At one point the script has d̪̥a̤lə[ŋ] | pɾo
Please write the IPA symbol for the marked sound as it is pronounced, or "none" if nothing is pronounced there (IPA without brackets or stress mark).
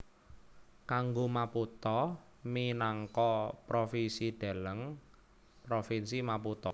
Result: ŋ